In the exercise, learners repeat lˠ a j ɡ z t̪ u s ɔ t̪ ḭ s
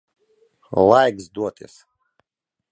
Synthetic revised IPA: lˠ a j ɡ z d̪ u ɔ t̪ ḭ s